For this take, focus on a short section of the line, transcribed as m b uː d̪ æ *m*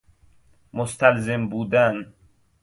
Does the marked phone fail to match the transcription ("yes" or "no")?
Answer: yes